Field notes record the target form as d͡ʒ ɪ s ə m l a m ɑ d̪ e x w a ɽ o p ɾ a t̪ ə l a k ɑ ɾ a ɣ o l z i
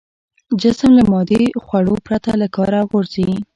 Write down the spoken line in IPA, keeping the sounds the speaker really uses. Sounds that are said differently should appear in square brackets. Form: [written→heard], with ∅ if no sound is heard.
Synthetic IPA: d͡ʒ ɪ s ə m l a m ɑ d̪ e x w a ɽ o p ɾ a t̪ [ə→a] l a k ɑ ɾ a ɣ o [l→ɾ] z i